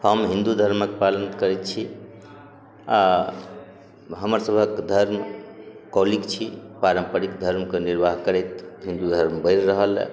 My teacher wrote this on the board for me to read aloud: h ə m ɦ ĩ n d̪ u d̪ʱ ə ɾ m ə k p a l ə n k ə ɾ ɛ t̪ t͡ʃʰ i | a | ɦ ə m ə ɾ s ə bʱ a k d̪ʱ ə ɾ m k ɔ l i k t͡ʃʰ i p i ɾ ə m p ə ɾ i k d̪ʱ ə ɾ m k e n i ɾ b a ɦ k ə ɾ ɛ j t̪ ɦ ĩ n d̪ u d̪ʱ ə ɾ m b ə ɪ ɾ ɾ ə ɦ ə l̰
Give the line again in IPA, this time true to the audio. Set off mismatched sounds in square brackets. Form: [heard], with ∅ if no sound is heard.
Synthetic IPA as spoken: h ə m ɦ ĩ n d̪ u d̪ʱ ə ɾ m ə k p a l ə n k ə ɾ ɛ t̪ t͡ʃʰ i | a | ɦ ə m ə ɾ s ə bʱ [ə] k d̪ʱ ə ɾ m k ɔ l i k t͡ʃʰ i p [a] ɾ ə m p ə ɾ i k d̪ʱ ə ɾ m k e n i ɾ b a ɦ k ə ɾ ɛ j t̪ ɦ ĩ n d̪ u d̪ʱ ə ɾ m b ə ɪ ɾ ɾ ə ɦ ə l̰